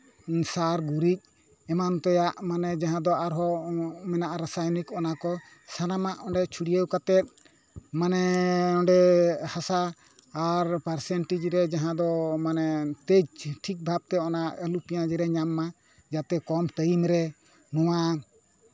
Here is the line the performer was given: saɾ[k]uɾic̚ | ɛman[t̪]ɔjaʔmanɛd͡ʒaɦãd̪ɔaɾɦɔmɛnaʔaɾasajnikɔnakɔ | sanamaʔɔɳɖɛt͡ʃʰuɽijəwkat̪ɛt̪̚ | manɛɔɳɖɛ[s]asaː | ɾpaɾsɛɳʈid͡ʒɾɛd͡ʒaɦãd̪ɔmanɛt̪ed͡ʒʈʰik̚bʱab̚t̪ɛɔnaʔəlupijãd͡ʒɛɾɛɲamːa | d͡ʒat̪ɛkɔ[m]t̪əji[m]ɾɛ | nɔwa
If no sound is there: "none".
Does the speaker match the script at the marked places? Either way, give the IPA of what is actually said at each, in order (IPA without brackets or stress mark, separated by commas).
ɡ, t̪, h, m, m